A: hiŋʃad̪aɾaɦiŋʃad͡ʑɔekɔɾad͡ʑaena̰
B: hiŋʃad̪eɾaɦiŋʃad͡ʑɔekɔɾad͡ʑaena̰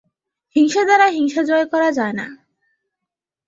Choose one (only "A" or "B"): A